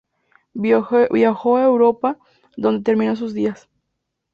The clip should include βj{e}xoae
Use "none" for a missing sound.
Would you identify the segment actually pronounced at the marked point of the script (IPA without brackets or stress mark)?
a